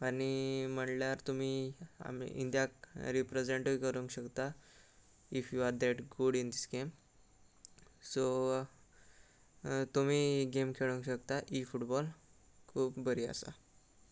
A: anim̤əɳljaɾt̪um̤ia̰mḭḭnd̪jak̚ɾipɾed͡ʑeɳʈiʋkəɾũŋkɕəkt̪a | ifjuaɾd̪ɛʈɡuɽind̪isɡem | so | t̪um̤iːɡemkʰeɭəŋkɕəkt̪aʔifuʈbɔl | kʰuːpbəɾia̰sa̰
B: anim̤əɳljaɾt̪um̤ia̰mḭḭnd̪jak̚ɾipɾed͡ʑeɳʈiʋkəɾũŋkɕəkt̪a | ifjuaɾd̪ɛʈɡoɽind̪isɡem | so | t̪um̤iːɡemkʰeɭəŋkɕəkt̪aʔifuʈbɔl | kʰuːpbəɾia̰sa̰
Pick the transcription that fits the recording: A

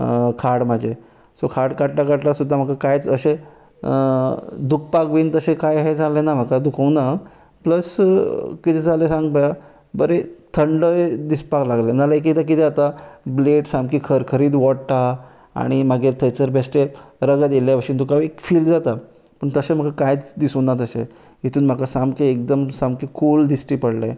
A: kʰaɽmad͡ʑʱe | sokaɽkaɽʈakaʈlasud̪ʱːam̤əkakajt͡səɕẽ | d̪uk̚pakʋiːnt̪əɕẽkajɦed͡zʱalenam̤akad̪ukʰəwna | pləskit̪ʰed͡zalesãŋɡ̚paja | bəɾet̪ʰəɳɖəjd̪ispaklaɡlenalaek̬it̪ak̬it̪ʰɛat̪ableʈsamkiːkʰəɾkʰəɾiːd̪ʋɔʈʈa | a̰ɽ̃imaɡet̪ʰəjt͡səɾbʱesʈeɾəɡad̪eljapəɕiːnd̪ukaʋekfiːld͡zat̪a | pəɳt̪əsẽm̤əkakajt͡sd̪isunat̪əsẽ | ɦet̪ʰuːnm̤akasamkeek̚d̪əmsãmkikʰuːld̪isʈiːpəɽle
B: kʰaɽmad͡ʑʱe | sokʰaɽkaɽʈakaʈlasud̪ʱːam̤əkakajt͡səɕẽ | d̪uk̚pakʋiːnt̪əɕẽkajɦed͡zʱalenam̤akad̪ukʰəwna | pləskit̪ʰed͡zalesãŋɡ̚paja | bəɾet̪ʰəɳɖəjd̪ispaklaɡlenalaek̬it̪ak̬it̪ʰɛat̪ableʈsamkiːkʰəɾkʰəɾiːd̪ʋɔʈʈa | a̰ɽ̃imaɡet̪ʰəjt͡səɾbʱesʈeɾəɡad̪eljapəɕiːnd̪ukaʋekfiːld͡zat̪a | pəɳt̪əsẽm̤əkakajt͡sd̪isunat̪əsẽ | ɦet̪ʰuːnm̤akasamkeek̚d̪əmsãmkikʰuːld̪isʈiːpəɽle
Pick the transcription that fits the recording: B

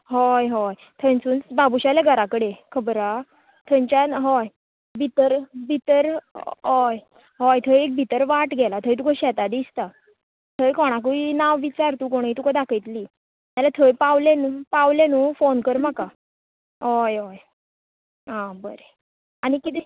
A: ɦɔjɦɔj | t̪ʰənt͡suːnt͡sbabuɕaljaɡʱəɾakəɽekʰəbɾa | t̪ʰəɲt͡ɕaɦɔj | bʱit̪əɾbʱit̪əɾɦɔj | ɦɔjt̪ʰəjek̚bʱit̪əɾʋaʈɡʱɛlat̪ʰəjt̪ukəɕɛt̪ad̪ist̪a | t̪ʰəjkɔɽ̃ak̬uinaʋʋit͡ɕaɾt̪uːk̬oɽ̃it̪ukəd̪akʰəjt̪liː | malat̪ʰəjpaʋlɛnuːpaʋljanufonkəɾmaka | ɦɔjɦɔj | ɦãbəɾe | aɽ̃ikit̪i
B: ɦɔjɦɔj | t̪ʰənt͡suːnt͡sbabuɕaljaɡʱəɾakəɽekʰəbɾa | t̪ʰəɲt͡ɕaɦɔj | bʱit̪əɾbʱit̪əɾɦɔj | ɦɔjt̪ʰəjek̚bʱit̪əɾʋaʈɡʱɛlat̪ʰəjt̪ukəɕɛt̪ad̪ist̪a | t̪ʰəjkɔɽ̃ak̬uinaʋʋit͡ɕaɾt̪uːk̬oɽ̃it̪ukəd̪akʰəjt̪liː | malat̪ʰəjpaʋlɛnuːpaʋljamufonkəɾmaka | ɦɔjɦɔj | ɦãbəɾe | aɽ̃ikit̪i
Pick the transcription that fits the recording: A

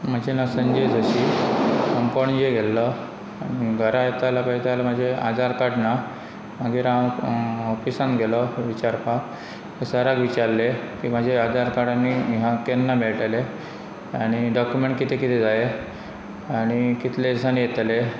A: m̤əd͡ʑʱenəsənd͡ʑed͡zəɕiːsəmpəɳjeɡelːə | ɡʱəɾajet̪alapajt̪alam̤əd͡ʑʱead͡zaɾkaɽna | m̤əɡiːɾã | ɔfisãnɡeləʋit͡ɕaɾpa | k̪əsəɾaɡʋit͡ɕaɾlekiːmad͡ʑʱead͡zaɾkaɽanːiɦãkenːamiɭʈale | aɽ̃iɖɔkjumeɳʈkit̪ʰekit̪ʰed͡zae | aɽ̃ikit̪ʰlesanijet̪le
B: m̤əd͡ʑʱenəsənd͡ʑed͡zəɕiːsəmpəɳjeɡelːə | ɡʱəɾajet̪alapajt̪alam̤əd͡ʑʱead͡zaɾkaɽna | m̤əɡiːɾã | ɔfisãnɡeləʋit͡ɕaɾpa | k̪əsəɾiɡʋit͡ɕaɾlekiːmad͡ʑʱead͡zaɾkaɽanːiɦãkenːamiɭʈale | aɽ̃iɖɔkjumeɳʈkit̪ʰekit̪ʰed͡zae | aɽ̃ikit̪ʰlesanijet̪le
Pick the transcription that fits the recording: A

